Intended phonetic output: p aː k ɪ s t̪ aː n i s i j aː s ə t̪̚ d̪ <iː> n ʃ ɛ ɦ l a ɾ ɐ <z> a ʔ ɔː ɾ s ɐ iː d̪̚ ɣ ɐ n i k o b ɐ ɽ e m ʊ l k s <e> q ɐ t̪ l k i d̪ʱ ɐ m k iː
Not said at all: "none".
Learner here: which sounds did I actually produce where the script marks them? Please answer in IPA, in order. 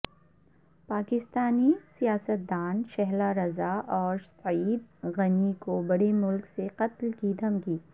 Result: aː, z, e

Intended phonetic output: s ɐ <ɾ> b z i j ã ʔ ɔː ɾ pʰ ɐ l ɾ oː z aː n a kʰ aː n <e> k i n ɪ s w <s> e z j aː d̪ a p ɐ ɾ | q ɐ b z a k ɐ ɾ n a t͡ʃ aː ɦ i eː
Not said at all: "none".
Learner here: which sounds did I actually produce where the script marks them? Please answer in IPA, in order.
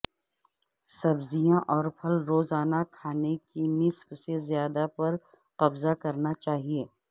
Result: none, e, s

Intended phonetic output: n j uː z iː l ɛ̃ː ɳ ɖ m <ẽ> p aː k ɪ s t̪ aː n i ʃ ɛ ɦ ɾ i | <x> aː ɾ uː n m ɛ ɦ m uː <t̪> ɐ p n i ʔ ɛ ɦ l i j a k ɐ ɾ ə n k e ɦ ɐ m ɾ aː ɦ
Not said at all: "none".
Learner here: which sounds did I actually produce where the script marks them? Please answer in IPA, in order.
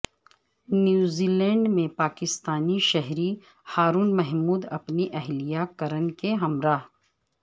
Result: ẽ, h, d̪

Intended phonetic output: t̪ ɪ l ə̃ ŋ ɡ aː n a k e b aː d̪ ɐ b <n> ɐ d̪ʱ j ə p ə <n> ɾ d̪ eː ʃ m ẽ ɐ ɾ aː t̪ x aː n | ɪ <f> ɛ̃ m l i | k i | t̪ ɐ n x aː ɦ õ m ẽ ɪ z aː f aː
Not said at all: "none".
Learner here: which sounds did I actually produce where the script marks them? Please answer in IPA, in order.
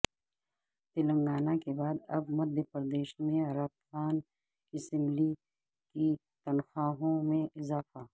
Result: m, none, s

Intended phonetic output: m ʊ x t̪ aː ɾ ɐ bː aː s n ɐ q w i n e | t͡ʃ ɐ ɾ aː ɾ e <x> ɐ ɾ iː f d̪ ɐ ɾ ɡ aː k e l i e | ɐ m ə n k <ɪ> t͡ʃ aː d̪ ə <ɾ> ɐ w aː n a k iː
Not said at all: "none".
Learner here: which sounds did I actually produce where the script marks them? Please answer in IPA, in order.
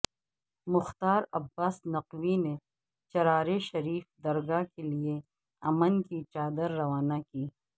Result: ʃ, i, ɾː

